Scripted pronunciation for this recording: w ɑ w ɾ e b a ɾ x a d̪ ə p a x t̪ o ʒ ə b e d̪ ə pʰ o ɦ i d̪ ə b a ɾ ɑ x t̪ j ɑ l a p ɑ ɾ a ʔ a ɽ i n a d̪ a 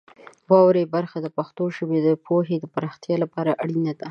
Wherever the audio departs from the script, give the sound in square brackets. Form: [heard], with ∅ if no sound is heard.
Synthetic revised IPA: w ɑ w ɾ e b a ɾ x a d̪ ə p a x t̪ o [ʃ] ə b e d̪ ə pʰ o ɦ [e] d̪ ə [p] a ɾ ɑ x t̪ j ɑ l a p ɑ ɾ a ʔ a ɽ i n a d̪ a

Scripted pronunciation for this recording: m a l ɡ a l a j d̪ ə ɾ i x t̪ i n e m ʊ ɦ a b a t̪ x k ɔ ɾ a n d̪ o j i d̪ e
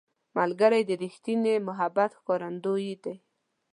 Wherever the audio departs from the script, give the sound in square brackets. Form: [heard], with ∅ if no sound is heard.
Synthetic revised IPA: m a l ɡ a [ɾ] a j d̪ ə ɾ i x t̪ i n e m ʊ ɦ a b a t̪ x k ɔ ɾ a n d̪ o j i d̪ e

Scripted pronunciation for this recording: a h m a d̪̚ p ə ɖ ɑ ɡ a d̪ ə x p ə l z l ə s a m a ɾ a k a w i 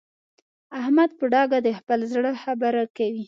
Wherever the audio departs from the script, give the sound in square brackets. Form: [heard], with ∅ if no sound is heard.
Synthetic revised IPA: a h m a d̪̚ p ə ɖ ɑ ɡ a d̪ ə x p ə l z [ɽ] ə [x] a [b] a ɾ a k a w i

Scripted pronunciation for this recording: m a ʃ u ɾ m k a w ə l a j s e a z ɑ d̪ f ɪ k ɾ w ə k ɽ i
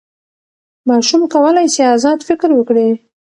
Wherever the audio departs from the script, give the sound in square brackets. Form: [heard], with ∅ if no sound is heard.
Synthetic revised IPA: m [ɑ] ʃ u [∅] m k a w ə l a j s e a z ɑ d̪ f ɪ k ɾ w ə k ɽ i

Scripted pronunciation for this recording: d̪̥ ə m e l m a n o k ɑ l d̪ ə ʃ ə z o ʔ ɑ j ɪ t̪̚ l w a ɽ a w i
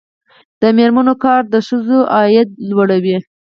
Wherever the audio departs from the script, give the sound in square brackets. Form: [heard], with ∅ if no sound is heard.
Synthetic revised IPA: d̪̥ ə m e [ɾ] m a n o k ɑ [ɾ] d̪ ə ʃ ə z o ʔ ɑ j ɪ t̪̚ l w a ɽ a w i

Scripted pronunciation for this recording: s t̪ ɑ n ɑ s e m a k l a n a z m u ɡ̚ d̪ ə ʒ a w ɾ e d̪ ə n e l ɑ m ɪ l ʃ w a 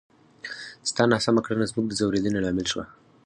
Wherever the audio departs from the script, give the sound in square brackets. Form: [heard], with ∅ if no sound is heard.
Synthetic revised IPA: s t̪ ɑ n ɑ s [a] m a k [ɽ] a n a z m u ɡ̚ d̪ ə [z] a w ɾ e d̪ ə n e l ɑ m ɪ l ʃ w a

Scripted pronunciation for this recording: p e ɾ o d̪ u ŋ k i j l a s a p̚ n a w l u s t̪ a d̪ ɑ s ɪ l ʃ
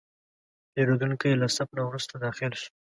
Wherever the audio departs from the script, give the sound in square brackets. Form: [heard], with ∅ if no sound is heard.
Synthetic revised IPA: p e ɾ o d̪ u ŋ k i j l a s a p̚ n a w [ɾ] u s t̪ a d̪ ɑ [x] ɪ l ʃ

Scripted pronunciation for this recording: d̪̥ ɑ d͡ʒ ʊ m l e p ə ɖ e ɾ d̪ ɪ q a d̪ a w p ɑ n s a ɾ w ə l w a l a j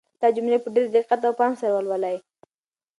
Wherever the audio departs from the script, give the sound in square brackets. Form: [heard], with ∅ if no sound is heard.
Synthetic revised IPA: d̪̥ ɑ d͡ʒ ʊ m l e p ə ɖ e ɾ d̪ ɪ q a [t̪] a w p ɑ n s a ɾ w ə l w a l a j

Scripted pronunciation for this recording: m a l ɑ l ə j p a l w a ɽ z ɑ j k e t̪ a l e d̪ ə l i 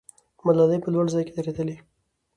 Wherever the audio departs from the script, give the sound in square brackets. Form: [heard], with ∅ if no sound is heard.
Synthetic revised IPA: m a l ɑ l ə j p [ə] l w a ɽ z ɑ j k e [d̪] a [ɾ] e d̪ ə l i

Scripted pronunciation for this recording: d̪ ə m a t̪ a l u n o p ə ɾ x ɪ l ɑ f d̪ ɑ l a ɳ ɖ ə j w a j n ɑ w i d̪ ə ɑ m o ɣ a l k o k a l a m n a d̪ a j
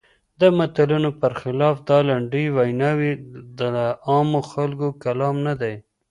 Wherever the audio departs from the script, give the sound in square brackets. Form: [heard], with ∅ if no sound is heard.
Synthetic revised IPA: d̪ ə m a t̪ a l u n o p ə ɾ x ɪ l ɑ f d̪ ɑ l a ɳ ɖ ə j w a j n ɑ w i d̪ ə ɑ m o [x] a l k o k a l [ɑ] m n a d̪ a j

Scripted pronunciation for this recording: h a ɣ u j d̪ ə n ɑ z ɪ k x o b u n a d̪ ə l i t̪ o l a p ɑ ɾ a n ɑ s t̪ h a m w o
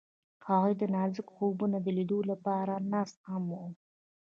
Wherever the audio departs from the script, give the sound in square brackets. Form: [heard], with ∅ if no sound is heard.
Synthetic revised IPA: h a ɣ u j d̪ ə n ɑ z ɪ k x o b u n a d̪ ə l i [d̪] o l a p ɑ ɾ a n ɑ s t̪ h a m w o

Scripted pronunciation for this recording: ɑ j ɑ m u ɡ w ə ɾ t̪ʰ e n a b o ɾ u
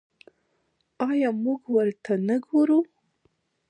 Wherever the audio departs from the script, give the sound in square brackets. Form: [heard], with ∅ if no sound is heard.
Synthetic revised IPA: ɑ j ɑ m u ɡ w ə ɾ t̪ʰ [a] n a [ɡ] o ɾ u

